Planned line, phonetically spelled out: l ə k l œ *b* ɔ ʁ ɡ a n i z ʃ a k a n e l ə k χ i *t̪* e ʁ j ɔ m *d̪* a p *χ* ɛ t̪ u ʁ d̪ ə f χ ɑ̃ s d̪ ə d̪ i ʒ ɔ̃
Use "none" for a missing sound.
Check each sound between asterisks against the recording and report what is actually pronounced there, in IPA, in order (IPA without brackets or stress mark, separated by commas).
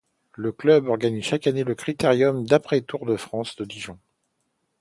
b, t̪, d̪, χ